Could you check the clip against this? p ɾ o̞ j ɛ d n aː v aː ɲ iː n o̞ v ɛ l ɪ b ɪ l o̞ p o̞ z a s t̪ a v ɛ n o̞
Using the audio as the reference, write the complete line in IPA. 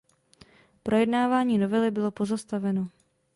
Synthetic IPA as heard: p ɾ o̞ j ɛ d n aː v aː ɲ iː n o̞ v ɛ l ɪ b ɪ l o̞ p o̞ z a s t̪ a v ɛ n o̞